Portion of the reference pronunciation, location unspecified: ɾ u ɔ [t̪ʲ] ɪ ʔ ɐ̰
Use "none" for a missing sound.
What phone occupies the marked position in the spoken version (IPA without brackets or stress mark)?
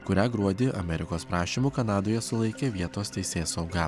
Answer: d̪ʲ